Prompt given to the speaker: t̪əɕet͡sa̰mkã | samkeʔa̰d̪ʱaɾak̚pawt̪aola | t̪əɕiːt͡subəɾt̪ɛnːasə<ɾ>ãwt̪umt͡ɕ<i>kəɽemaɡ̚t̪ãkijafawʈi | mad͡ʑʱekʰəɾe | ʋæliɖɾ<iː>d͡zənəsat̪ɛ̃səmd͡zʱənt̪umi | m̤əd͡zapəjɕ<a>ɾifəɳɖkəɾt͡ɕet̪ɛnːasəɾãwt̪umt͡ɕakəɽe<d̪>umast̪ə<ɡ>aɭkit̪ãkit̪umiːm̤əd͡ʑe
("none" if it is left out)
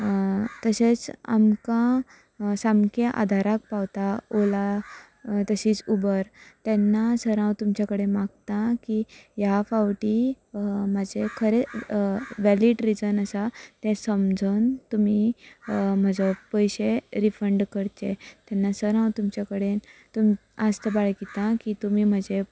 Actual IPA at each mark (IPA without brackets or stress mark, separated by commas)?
ɾ, a, i, e, t̪, b